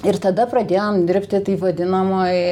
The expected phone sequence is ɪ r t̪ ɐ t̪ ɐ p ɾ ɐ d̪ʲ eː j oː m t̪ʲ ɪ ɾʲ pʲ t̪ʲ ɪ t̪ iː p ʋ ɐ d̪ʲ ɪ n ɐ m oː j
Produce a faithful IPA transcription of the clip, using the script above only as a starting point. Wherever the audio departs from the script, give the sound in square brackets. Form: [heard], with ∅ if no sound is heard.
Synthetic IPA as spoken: ɪ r t̪ ɐ [d̪] ɐ p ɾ ɐ d̪ʲ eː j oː m [d̪ʲ] ɪ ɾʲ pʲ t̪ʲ ɪ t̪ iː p ʋ ɐ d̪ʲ ɪ n ɐ m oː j